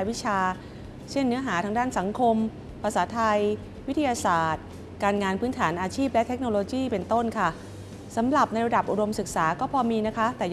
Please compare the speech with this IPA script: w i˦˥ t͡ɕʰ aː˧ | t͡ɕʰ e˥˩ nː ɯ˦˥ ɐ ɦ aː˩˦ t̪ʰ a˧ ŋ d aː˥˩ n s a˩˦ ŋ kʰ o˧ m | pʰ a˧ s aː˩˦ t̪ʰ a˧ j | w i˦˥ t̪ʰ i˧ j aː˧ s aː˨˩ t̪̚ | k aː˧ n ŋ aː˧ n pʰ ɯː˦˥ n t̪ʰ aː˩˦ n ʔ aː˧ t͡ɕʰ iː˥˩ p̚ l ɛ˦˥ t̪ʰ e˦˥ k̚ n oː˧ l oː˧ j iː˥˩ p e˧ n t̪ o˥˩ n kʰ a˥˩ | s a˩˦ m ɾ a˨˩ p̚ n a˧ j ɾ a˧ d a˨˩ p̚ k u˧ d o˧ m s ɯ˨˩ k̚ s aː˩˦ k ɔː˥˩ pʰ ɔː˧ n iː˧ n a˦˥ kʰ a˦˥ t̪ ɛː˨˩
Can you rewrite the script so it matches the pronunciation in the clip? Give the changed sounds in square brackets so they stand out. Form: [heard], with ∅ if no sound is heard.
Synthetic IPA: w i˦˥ t͡ɕʰ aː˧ | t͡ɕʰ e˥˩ nː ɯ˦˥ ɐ ɦ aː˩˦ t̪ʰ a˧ ŋ d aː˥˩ n s a˩˦ ŋ kʰ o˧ m | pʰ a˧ s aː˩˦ t̪ʰ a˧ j | w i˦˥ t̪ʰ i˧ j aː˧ s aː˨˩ t̪̚ | k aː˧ n ŋ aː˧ n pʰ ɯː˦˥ n t̪ʰ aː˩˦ n ʔ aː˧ t͡ɕʰ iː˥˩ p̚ l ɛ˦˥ t̪ʰ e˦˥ k̚ n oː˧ l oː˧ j iː˥˩ p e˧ n t̪ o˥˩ n kʰ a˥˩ | s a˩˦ m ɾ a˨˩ p̚ n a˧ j ɾ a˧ d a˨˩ p̚ [ʔ] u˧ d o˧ m s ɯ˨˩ k̚ s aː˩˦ k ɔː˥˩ pʰ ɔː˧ [m] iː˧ n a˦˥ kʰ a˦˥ t̪ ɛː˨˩